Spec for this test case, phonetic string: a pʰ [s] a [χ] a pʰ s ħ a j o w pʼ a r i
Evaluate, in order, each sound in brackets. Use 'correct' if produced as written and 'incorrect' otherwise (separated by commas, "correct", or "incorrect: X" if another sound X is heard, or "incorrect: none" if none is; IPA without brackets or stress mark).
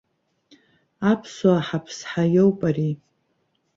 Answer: correct, incorrect: ħ